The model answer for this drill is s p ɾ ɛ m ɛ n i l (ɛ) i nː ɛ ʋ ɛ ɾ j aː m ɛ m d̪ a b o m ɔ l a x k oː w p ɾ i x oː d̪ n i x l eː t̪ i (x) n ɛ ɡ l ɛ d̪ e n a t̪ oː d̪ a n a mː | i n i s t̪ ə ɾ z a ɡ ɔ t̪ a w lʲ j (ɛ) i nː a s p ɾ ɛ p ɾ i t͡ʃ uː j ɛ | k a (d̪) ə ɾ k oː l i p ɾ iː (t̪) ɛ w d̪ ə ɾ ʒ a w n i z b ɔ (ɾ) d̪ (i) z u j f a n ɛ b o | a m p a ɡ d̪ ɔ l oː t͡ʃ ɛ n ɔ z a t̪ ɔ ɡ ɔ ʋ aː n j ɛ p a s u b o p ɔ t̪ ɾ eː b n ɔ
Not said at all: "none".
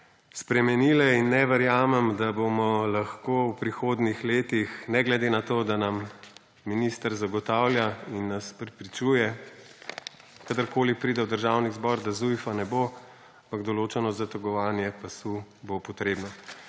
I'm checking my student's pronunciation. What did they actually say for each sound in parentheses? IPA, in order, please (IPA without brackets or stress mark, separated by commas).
ɛ, x, a, d̪, d̪, ɾ, a